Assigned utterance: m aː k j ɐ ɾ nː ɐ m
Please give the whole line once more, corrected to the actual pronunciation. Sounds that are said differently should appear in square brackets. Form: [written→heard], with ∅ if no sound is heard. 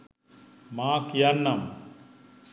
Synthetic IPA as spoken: m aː k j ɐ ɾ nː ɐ m